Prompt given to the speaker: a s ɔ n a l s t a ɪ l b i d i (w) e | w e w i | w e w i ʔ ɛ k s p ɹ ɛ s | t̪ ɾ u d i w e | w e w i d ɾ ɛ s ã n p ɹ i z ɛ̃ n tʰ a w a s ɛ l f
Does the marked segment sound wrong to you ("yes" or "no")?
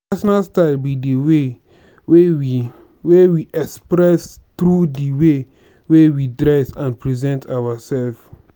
no